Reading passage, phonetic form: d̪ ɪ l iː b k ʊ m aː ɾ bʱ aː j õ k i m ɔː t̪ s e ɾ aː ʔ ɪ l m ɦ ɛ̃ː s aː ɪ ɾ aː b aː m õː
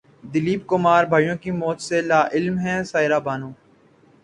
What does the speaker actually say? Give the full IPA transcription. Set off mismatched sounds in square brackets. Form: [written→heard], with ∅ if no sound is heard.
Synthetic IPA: d̪ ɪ l iː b k ʊ m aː ɾ bʱ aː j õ k i m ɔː t̪ s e [ɾ→l] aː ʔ ɪ l m ɦ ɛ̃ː s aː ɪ ɾ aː b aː [m→n] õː